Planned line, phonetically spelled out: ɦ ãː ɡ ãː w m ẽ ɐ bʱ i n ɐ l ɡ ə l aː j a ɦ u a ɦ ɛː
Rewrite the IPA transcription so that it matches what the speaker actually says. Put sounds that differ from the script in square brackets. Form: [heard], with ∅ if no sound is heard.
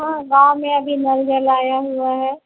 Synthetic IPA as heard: ɦ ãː ɡ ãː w m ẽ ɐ bʱ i n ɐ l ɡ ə l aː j a ɦ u a ɦ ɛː